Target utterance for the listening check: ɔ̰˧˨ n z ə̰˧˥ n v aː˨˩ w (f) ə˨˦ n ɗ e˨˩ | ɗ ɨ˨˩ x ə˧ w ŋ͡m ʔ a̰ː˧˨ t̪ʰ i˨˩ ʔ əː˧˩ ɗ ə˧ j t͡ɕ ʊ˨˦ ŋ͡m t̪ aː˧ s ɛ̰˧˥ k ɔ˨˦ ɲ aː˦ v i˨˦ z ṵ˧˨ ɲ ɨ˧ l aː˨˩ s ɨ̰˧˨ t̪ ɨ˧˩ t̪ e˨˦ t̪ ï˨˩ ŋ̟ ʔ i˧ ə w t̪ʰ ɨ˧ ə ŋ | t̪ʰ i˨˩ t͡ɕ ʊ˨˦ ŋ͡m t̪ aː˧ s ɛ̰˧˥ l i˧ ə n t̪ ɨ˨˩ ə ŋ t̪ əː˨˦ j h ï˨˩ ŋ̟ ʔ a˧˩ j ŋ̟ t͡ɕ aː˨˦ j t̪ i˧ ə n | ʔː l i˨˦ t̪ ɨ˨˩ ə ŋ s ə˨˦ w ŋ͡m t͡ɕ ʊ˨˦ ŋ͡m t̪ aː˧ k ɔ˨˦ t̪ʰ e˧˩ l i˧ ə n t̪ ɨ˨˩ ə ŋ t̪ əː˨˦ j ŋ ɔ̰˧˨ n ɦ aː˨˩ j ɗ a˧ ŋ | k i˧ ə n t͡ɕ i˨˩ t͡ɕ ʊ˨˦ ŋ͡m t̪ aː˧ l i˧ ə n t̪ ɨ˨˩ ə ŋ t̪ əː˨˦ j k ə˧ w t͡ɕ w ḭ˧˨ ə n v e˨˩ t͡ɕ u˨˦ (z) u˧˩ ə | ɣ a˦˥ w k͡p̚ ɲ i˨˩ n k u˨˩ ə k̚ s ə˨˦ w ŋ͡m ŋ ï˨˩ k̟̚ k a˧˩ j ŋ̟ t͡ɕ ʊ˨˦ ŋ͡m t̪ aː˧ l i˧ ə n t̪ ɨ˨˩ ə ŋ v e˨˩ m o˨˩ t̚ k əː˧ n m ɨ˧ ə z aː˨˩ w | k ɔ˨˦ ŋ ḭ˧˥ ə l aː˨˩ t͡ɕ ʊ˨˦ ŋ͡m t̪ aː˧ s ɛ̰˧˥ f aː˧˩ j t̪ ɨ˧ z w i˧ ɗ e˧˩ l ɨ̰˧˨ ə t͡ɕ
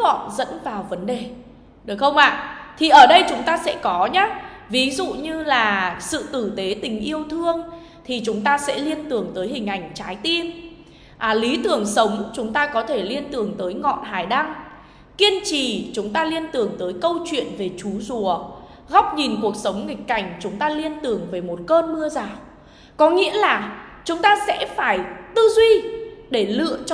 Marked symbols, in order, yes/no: no, yes

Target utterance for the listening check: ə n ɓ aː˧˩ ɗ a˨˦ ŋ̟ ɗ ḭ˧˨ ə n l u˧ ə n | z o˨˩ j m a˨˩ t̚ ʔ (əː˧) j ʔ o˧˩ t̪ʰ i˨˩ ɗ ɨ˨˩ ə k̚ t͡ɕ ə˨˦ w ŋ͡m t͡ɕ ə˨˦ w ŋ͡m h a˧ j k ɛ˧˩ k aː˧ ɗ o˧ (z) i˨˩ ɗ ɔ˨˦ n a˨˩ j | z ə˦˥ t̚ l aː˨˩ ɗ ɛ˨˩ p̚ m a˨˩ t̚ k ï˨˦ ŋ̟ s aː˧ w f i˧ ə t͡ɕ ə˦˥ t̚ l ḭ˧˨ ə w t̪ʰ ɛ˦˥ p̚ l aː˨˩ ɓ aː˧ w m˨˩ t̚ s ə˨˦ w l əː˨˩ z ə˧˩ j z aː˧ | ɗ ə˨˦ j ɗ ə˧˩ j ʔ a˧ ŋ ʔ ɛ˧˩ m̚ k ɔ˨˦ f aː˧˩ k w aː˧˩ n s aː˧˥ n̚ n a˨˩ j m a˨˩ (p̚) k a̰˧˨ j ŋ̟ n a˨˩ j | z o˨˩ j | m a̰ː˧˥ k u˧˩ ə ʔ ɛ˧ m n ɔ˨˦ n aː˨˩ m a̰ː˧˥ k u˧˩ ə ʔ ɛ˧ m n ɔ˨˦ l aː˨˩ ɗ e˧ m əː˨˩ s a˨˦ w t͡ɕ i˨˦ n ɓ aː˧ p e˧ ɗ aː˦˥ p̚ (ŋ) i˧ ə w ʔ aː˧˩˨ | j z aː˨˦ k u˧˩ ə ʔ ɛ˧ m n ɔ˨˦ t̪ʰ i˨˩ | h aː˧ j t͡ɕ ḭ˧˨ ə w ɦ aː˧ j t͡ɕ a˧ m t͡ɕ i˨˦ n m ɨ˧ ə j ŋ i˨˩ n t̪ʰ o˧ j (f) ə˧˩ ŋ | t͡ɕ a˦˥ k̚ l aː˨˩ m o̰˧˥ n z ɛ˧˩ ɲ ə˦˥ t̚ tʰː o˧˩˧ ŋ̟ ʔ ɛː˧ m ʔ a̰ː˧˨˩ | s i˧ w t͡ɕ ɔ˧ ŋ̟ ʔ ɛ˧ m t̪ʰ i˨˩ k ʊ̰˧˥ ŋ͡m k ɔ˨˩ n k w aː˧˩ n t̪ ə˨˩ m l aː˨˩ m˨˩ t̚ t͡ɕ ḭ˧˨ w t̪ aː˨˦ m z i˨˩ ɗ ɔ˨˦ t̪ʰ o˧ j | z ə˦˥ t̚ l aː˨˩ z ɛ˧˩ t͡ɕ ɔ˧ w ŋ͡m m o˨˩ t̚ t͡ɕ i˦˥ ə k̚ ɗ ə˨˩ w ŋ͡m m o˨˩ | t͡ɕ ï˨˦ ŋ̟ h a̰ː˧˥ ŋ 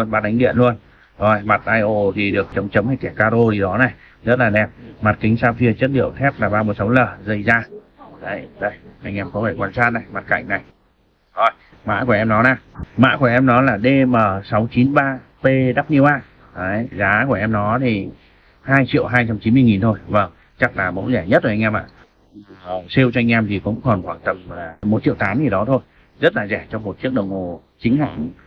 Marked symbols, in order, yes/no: no, yes, no, no, no

